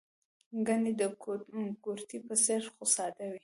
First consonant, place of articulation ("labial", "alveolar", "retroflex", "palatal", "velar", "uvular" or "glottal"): velar